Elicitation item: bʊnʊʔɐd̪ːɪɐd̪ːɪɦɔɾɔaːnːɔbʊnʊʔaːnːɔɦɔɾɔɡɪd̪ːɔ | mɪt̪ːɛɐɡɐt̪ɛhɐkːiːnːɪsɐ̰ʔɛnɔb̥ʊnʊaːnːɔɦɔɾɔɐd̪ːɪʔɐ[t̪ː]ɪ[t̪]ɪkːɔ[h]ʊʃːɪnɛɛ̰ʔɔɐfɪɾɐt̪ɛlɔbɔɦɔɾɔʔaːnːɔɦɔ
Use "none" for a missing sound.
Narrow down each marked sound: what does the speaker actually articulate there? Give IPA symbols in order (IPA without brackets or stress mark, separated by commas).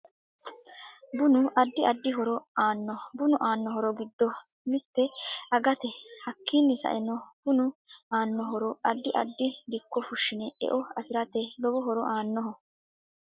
d̪ː, d̪, f